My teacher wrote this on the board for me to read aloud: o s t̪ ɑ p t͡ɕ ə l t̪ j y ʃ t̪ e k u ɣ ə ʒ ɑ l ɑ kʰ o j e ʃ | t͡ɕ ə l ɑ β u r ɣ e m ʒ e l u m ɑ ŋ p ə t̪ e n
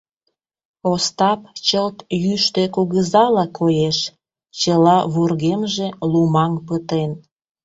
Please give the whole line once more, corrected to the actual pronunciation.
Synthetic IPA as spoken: o s t̪ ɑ p t͡ɕ ə l t̪ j y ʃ t̪ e k u ɣ ə z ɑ l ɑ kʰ o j e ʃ | t͡ɕ ə l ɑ β u r ɣ e m ʒ e l u m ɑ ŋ p ə t̪ e n